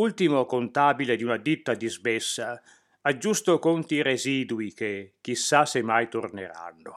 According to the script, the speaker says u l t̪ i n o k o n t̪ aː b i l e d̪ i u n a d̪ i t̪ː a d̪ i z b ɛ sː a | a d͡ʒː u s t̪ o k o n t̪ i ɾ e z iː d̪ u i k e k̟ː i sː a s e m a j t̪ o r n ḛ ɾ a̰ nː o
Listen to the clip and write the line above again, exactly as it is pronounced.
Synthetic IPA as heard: u l t̪ i m o k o n t̪ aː b i l e d̪ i u n a d̪ i t̪ː a d̪ i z b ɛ sː a | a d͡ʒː u s t̪ o k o n t̪ i ɾ e z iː d̪ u i k e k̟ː i sː a s e m a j t̪ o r n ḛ ɾ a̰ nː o